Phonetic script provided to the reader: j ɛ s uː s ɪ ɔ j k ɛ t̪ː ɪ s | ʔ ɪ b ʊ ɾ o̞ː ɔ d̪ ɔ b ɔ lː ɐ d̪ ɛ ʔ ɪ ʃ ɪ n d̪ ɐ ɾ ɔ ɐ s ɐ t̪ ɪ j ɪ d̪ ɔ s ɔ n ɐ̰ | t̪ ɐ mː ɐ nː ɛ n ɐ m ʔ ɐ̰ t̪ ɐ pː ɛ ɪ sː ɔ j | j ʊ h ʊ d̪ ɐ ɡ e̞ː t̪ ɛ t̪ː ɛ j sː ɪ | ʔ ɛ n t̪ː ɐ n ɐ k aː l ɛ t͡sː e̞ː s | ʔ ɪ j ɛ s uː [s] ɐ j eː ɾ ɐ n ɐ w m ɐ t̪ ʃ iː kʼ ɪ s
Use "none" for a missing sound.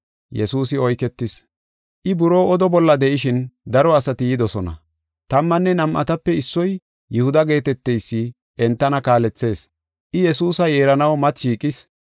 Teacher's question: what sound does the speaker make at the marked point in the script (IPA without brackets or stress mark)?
s